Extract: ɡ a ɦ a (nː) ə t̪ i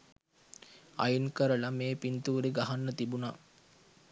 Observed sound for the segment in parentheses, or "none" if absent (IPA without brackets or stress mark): nː